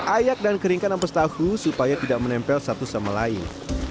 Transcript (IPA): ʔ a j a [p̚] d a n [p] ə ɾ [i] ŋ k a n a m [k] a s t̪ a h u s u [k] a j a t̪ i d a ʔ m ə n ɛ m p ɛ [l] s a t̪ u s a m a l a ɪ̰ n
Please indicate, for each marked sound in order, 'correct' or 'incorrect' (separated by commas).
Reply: incorrect, incorrect, correct, incorrect, incorrect, correct